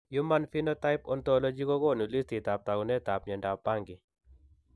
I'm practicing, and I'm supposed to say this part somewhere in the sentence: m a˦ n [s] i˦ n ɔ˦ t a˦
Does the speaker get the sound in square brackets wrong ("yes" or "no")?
yes